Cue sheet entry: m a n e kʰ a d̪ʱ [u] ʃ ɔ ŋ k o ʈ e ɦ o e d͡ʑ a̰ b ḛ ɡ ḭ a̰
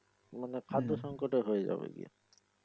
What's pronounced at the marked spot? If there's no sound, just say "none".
o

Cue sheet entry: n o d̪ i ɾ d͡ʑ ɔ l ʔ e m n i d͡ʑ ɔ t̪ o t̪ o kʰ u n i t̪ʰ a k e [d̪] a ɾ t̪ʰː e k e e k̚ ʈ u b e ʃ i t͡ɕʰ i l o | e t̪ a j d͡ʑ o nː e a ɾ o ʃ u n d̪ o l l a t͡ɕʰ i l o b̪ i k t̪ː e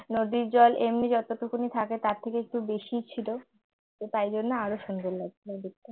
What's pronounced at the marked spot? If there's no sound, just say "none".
t̪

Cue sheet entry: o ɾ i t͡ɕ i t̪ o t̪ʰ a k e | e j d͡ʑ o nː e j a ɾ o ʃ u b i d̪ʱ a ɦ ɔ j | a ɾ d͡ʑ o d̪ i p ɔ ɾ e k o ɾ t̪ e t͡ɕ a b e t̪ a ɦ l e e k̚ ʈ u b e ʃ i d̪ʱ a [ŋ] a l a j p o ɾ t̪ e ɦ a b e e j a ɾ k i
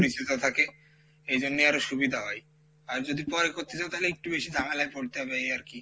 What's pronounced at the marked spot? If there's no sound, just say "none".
ŋ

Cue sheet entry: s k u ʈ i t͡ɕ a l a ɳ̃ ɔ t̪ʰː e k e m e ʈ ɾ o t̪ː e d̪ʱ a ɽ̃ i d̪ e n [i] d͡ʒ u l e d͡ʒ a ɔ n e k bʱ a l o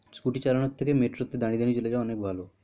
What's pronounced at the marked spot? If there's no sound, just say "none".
i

